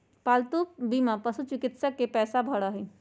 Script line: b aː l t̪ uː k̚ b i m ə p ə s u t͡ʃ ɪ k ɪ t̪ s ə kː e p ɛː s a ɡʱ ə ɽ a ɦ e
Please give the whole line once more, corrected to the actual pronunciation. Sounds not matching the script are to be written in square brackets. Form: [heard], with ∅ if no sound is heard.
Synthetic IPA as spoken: [p] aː l t̪ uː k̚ b i m [a] p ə s u t͡ʃ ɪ k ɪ t̪ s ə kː e p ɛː s a [bʱ] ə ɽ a ɦ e